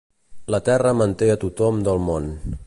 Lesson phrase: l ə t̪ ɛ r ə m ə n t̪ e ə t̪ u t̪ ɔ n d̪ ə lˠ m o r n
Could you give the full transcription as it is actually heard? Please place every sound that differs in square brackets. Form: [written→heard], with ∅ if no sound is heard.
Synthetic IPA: l ə t̪ ɛ r ə m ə n t̪ e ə t̪ u t̪ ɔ [n→m] d̪ ə lˠ m o [r→∅] n